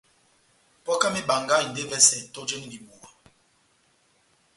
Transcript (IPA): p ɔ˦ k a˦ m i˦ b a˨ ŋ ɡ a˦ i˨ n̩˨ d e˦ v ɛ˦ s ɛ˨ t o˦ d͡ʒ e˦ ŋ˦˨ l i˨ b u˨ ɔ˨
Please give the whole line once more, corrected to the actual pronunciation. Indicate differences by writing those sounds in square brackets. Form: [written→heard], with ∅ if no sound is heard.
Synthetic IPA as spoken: p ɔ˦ k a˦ m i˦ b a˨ ŋ ɡ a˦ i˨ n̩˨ d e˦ v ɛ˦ s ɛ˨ t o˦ d͡ʒ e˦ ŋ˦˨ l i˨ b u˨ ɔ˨